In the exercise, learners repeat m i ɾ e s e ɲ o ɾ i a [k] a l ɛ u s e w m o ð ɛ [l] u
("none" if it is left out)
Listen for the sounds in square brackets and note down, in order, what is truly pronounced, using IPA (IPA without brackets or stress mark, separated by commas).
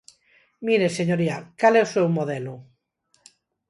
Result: k, l